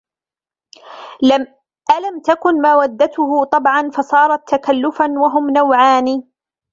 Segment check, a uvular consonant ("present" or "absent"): absent